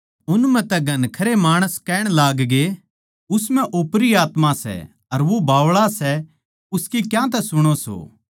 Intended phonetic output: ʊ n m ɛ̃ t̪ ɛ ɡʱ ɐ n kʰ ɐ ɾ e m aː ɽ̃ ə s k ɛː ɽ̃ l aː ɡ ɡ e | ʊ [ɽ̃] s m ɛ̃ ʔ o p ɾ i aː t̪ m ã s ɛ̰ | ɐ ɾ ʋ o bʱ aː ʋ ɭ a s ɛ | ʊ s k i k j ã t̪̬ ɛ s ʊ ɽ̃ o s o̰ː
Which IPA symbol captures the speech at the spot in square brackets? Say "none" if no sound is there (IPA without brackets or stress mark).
none